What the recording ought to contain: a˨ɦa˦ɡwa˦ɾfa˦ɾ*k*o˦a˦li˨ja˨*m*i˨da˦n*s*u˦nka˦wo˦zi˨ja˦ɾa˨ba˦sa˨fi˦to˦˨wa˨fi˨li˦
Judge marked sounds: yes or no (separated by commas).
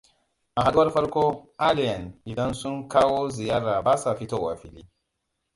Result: yes, no, yes